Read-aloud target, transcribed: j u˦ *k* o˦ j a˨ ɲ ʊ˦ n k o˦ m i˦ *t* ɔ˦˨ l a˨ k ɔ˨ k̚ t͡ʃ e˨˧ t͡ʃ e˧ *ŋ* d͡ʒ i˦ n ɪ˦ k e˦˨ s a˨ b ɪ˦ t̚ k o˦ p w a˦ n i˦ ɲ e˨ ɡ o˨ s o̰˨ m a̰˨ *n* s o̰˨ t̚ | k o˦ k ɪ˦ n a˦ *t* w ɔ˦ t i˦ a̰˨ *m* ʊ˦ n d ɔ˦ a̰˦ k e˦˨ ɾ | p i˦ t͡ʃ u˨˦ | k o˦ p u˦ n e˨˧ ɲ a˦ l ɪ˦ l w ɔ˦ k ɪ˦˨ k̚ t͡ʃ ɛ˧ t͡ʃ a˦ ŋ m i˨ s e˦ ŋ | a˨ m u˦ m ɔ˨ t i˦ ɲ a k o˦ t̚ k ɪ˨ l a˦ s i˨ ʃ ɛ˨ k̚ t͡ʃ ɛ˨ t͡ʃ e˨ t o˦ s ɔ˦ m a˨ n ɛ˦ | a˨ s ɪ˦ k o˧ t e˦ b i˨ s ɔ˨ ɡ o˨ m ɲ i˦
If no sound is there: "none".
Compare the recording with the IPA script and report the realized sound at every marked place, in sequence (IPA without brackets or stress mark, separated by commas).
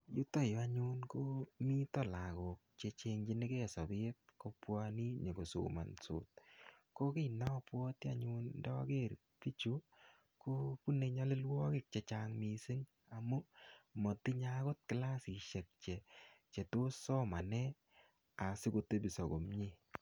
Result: t, t, ŋ, n, p, ɲ